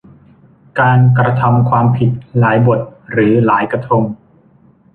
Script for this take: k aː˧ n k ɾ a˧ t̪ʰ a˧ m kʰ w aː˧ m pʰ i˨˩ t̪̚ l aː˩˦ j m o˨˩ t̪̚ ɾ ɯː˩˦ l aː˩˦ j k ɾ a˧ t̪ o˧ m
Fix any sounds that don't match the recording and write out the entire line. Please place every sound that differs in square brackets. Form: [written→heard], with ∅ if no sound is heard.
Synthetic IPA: k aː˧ n k ɾ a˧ t̪ʰ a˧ m kʰ w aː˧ m pʰ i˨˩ t̪̚ l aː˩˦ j [m→b] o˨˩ t̪̚ ɾ ɯː˩˦ l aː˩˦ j k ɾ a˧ [t̪→t̪ʰ] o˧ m